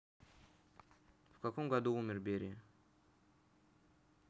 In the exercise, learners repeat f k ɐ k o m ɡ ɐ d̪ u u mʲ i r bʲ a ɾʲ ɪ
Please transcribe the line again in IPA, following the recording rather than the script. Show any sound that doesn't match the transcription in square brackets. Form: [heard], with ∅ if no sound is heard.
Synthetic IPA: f k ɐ k o m ɡ ɐ d̪ u u mʲ [ɪ] r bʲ [e] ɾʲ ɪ